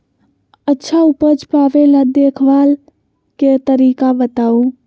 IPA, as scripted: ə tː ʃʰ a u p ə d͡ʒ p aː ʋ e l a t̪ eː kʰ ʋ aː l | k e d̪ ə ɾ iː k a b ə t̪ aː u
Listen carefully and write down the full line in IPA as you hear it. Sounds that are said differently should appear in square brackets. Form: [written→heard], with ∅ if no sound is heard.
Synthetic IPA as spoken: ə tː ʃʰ a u p ə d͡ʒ p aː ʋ e l a [t̪→d̪] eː kʰ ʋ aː l | k e [d̪→t̪] ə ɾ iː k a b ə t̪ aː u